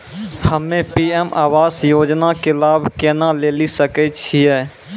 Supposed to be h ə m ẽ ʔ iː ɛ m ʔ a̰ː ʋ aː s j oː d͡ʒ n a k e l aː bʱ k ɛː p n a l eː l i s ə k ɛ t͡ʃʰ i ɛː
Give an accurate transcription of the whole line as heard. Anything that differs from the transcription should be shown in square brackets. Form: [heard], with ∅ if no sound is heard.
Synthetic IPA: h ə m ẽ [p] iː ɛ m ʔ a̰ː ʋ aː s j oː d͡ʒ n a k e l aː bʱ k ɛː [∅] n a l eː l i s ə k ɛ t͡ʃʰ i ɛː